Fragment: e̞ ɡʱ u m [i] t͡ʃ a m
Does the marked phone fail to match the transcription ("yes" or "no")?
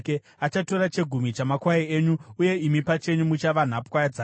no